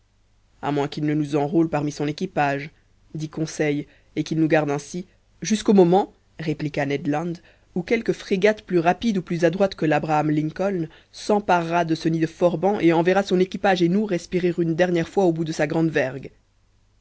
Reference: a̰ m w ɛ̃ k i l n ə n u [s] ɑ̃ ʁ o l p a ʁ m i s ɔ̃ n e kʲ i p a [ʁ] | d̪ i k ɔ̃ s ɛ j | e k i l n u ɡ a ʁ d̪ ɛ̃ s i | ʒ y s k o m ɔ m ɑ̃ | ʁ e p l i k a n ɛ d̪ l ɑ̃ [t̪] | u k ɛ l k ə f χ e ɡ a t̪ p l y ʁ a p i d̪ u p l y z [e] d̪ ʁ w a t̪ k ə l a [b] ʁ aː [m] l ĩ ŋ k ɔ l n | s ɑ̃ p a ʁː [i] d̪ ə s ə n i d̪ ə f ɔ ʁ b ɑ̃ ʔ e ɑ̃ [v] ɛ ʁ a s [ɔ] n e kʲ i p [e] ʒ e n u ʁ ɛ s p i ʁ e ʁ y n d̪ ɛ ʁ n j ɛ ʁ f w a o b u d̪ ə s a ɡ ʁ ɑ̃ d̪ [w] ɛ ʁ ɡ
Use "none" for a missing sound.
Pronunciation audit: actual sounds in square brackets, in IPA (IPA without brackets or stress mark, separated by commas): z, ʒ, d̪, a, b, m, a, v, ɔ̃, a, v